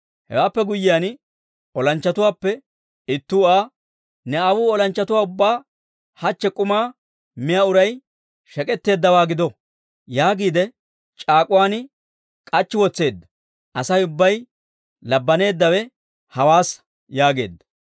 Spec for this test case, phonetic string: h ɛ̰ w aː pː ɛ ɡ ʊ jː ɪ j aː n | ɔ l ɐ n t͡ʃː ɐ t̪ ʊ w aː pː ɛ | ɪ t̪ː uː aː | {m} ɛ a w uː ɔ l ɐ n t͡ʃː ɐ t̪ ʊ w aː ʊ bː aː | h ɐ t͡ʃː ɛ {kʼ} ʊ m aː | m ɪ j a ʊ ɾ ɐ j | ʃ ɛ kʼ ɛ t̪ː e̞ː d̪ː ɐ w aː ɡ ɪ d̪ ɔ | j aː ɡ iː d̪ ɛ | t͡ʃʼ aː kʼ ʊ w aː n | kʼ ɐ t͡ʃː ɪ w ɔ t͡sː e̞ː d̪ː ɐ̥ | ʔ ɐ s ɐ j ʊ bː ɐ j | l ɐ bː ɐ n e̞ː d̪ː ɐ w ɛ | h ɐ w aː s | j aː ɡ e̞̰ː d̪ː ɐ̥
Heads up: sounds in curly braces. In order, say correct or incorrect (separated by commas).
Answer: incorrect, correct